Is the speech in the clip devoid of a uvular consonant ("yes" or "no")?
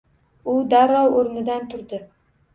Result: yes